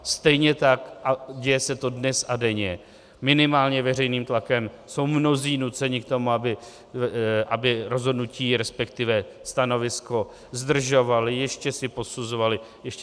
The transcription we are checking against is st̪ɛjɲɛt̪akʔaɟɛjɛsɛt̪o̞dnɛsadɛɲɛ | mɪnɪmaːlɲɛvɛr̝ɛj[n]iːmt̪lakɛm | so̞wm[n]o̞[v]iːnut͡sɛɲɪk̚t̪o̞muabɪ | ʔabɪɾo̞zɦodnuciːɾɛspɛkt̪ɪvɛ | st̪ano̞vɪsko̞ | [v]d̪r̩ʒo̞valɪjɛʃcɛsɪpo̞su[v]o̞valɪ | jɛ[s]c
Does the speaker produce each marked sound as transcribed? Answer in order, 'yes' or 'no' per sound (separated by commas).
yes, yes, no, no, no, no